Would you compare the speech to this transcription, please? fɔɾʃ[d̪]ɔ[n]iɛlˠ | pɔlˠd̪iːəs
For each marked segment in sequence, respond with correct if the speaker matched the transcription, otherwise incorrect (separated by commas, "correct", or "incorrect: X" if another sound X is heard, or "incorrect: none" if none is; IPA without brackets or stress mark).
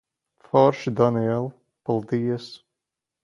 correct, correct